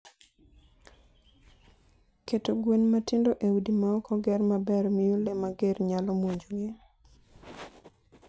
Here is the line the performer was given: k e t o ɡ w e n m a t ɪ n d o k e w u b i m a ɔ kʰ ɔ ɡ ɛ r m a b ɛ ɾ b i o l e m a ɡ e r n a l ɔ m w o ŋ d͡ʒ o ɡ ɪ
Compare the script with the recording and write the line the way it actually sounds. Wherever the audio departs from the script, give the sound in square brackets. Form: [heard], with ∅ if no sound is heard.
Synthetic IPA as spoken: k e t o ɡ w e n m a t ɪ n d o [ʔ] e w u [d] i m a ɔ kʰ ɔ ɡ ɛ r m a b ɛ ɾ [m] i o l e m a ɡ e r [ɲ] a l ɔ m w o [ɲ] d͡ʒ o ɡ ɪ